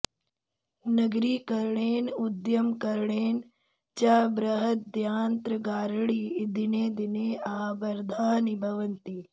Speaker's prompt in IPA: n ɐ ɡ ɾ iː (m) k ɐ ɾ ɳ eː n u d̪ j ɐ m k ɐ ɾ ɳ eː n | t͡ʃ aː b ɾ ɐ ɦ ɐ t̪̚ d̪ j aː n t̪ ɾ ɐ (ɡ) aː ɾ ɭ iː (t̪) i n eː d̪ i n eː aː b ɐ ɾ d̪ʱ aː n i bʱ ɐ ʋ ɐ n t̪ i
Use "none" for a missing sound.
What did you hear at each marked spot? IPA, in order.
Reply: none, ɡ, d̪

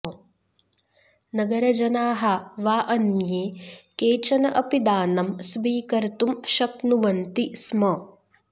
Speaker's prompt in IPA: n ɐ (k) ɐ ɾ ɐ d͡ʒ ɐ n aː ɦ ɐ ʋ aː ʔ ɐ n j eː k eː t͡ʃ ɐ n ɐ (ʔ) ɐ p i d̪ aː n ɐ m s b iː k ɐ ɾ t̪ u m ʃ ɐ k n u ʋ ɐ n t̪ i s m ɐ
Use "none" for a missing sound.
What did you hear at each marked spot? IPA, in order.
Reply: ɡ, ʔ

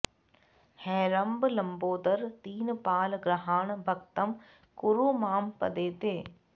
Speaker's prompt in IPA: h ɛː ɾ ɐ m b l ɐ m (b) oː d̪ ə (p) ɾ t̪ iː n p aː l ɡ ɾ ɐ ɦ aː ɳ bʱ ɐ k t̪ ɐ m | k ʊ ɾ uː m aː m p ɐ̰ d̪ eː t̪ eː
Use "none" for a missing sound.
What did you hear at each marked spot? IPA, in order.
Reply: b, none

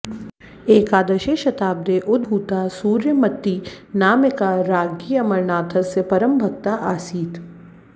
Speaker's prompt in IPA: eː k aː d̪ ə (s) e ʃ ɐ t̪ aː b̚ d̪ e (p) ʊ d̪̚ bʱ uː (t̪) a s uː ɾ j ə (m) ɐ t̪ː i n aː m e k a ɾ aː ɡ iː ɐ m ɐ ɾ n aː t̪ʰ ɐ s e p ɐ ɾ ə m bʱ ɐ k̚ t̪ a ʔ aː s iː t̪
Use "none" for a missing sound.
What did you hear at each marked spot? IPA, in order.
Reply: ʃ, ʔ, t̪, m

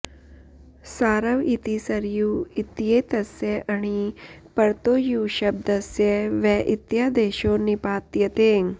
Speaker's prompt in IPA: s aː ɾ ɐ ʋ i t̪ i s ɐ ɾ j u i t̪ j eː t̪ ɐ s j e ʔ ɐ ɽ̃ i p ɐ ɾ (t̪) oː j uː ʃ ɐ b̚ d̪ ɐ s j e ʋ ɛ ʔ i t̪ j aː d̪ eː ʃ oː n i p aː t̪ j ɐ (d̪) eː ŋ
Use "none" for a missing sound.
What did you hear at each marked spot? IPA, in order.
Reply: t̪, t̪

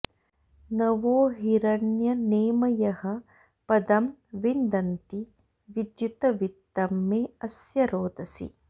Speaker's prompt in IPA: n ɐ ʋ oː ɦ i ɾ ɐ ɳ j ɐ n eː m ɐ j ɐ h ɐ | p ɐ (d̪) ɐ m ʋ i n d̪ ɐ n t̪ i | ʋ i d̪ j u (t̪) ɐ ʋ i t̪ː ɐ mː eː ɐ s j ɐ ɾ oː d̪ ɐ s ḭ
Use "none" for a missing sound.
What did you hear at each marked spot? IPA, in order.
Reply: d̪, t̪

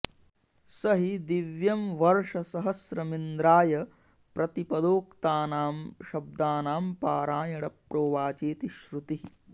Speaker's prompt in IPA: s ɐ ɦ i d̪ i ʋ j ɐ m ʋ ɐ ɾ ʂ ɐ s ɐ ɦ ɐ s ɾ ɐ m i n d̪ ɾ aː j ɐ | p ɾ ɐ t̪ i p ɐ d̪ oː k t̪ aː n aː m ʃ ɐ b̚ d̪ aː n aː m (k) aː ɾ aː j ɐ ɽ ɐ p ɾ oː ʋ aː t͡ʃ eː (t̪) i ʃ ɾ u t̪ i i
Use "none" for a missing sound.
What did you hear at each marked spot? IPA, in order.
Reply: p, t̪

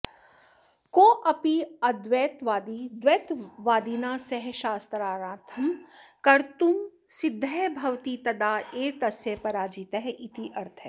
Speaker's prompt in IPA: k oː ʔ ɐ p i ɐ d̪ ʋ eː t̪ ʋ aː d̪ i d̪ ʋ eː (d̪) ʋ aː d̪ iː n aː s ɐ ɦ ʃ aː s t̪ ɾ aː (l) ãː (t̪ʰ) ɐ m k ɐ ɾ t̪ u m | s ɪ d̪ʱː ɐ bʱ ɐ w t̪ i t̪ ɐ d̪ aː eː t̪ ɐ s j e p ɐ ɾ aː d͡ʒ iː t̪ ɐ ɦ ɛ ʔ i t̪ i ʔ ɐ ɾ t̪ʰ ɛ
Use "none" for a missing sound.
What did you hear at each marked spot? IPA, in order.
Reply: t̪, ɾ, t̪ʰ

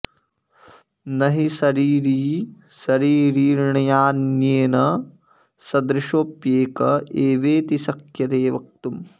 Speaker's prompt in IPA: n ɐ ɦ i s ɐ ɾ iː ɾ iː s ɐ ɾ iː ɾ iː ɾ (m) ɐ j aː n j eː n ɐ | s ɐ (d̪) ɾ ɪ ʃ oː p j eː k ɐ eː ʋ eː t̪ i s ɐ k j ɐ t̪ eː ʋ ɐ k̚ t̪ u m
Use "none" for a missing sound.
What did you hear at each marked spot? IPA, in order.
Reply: ɳ, d̪

